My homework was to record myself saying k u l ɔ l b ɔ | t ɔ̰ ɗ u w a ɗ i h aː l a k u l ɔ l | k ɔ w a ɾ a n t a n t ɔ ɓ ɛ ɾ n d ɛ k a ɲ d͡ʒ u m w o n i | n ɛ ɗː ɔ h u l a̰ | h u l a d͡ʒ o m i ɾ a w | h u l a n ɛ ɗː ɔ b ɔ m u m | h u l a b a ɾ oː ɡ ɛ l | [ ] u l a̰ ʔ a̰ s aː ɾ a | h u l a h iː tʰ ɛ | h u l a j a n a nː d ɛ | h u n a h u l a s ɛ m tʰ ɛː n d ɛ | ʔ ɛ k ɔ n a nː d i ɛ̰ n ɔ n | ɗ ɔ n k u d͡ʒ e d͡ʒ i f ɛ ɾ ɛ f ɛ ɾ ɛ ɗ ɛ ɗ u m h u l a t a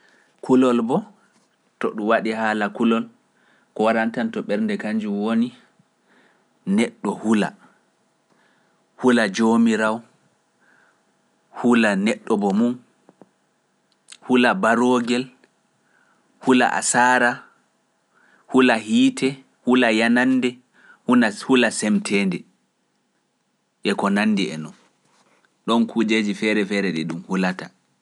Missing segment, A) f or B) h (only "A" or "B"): B